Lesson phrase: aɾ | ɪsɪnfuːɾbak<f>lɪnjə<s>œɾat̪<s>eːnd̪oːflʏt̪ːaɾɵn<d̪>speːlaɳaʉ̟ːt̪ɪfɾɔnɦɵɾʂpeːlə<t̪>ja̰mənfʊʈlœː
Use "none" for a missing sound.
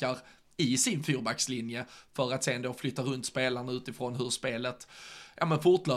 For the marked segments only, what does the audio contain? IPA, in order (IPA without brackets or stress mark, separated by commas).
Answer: s, f, s, t̪, t̪